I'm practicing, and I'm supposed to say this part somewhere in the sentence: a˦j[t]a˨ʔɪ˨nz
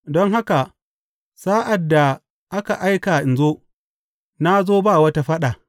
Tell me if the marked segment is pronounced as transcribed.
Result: no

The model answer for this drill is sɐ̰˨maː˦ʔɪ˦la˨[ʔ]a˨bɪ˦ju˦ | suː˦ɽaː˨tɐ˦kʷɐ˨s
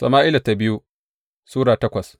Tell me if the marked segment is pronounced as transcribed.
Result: no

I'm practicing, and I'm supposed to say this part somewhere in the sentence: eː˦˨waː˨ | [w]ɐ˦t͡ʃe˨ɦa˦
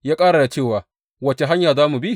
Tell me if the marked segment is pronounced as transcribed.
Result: yes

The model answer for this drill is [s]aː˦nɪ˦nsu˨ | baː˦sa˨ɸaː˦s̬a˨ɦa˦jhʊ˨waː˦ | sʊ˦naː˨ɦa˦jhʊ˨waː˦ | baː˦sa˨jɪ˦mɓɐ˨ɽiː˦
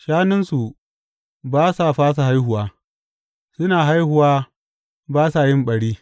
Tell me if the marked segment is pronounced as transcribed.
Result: no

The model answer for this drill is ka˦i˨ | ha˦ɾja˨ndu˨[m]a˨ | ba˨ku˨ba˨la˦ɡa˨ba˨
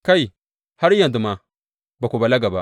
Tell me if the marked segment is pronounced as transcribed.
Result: yes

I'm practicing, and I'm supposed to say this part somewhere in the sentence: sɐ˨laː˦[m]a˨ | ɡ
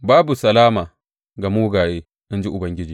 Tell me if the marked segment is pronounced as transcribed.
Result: yes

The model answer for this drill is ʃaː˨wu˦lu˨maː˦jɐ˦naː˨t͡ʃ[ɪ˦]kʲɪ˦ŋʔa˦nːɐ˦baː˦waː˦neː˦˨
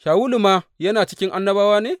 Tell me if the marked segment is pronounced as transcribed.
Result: yes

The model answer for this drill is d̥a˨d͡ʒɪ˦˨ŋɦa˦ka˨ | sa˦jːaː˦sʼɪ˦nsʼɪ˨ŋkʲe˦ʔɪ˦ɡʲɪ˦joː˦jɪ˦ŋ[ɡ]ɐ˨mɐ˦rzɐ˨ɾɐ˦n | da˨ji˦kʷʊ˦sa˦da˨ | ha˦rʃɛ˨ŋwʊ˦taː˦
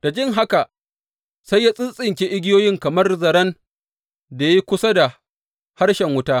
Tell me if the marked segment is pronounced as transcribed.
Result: no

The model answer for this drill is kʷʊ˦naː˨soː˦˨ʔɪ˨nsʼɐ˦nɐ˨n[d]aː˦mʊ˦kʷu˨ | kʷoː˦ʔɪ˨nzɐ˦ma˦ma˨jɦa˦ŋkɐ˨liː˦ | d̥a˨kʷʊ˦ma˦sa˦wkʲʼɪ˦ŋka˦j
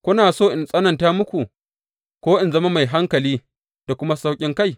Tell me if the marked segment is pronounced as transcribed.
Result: no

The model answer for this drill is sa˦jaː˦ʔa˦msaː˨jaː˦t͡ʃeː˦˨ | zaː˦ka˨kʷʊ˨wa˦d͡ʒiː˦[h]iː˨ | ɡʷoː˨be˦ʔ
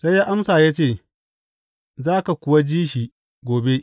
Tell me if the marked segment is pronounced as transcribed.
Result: no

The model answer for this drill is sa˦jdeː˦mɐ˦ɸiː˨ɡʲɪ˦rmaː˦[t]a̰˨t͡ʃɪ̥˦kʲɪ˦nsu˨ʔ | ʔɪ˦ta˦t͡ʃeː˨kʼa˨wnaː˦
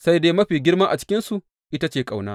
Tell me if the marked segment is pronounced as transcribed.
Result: no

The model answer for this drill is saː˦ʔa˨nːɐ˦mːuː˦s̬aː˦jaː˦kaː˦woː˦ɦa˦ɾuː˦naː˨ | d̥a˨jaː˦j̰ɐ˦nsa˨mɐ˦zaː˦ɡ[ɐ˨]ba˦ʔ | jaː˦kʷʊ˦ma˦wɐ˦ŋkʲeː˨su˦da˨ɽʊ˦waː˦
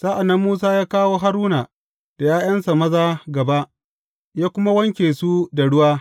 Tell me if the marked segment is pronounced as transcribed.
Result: yes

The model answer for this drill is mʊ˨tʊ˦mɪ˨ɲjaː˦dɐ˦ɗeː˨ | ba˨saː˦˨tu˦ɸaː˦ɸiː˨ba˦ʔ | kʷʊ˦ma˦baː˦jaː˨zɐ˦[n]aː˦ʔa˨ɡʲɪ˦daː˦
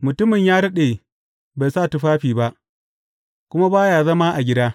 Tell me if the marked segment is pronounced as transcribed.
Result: no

